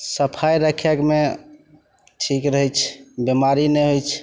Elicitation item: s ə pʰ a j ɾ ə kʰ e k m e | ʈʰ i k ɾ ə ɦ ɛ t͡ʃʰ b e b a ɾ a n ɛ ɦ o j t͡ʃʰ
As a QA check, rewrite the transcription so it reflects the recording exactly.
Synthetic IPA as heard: s ə pʰ a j ɾ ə kʰ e k m e | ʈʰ i k ɾ ə ɦ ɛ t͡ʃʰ b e m a ɾ i n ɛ ɦ o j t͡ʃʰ